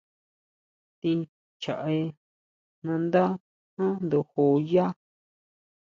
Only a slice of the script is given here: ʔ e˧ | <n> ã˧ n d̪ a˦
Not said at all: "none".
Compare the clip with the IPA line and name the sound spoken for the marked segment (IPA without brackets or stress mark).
n